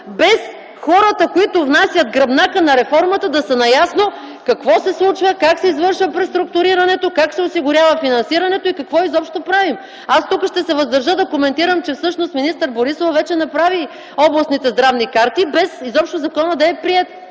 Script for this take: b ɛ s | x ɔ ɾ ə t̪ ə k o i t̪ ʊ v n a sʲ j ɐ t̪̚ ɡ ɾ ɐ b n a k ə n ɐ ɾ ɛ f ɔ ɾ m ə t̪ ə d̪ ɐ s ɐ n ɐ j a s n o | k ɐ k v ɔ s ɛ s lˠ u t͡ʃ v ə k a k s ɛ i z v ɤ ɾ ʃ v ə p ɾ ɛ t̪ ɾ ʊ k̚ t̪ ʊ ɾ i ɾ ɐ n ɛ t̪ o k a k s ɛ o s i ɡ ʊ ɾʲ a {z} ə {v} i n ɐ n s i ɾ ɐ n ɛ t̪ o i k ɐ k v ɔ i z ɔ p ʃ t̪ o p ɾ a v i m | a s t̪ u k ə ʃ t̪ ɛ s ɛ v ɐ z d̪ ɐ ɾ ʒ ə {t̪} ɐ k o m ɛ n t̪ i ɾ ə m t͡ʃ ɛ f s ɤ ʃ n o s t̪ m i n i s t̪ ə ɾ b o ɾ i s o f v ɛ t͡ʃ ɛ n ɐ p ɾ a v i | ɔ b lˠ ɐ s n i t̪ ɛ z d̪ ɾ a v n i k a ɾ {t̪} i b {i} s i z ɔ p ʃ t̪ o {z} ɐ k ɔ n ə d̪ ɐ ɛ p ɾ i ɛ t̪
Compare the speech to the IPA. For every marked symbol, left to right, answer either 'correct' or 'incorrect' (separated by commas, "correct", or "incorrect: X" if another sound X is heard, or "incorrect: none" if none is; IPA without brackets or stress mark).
incorrect: v, incorrect: f, incorrect: d̪, correct, incorrect: ɛ, correct